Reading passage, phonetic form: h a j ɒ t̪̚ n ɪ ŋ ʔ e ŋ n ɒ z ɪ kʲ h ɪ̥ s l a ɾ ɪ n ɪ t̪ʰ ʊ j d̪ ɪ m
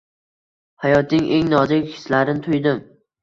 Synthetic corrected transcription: h a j ɒ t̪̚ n ɪ ŋ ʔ e ŋ n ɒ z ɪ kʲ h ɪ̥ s l a ɾ ɪ n ɪ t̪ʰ ʊ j d̪ ɪ m